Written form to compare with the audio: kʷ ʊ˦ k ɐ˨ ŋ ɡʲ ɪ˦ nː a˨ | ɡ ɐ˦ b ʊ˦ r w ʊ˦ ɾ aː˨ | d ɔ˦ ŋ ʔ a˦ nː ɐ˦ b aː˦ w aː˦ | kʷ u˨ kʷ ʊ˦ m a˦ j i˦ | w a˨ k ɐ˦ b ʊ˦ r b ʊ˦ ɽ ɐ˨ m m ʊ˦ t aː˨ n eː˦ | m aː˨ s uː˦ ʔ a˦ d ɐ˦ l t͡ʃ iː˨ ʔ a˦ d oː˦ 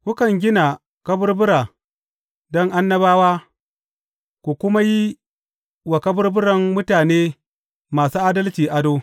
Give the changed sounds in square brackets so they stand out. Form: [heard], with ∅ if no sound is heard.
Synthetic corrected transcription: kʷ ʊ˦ k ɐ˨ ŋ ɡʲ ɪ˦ [n] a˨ | [k] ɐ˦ b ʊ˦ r [b] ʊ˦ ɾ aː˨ | d ɔ˦ ŋ ʔ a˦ nː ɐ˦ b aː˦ w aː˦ | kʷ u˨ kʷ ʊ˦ m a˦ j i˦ | w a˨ k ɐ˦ b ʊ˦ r b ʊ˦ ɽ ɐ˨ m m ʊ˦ t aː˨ n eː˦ | m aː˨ s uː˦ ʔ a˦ d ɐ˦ l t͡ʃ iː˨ ʔ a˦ d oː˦

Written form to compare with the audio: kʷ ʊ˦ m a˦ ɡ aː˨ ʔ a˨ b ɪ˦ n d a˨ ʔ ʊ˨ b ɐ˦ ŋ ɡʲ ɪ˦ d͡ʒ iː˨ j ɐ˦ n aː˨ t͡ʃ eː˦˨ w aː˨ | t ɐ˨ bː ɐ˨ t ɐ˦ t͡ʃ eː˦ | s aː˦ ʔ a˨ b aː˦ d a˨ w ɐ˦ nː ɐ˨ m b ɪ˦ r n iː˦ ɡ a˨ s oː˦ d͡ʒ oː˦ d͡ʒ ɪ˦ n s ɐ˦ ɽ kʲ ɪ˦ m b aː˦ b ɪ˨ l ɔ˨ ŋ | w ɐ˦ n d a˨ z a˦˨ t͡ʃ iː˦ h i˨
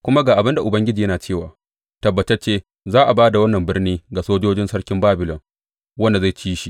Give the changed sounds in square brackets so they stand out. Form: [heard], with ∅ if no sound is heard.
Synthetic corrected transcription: kʷ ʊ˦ m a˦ ɡ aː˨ ʔ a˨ b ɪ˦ n d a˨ ʔ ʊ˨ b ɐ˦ ŋ ɡʲ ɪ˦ d͡ʒ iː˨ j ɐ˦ n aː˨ t͡ʃ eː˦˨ w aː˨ | t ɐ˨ bː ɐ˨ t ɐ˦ t͡ʃ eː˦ | [z] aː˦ ʔ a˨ b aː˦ d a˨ w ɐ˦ nː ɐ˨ m b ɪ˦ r n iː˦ ɡ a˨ s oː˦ d͡ʒ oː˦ d͡ʒ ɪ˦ n s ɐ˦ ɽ kʲ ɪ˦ m b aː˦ b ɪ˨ l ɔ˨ ŋ | w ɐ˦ n d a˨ z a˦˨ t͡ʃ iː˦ [ʃ] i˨

